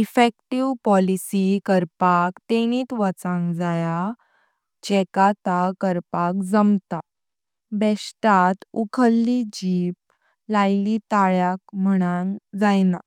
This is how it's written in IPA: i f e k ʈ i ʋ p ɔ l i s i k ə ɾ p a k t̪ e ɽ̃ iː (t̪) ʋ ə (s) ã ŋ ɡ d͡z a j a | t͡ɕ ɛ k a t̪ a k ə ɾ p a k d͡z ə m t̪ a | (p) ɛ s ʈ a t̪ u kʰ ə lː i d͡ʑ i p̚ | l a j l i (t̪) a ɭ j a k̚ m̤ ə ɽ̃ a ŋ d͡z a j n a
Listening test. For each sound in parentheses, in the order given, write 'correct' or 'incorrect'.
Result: correct, incorrect: t͡s, incorrect: b, correct

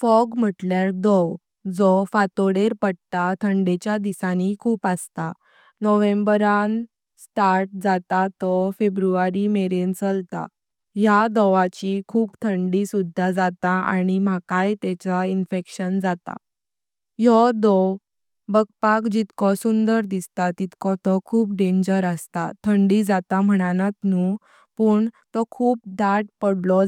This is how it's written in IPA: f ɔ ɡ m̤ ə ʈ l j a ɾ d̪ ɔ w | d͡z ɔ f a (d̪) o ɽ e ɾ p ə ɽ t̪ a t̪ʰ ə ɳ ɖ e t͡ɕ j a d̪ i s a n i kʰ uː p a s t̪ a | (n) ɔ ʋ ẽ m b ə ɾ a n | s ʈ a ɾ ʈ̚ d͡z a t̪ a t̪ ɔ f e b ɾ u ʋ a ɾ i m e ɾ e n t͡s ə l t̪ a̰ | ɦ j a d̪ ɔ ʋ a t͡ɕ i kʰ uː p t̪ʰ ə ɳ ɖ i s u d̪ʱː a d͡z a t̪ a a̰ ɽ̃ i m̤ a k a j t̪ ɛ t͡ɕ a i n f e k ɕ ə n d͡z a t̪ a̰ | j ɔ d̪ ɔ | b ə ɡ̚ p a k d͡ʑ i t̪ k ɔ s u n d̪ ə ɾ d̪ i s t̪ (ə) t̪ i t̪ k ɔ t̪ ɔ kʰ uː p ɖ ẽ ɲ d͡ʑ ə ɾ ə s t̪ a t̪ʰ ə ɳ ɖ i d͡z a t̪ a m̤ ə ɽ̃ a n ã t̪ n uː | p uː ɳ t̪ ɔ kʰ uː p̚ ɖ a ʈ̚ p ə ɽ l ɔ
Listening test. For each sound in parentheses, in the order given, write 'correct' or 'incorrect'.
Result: incorrect: t̪, correct, incorrect: a

